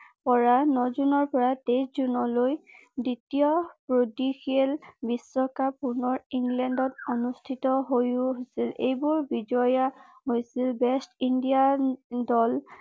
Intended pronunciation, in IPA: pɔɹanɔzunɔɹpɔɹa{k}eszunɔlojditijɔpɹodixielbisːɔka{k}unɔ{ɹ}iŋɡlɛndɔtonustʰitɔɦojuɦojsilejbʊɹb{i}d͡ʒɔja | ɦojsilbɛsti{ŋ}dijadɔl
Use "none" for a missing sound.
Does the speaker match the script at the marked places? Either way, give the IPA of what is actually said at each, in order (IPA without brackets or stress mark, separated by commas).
t, p, ɹ, i, n